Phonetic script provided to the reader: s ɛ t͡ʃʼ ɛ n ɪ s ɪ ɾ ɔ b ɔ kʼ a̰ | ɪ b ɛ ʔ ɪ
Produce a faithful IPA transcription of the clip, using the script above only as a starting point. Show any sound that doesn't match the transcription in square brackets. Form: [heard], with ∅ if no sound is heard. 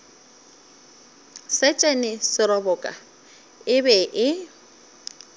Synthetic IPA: s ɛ t͡ʃʼ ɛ n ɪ s ɪ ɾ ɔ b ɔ kʼ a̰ | ɪ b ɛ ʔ ɪ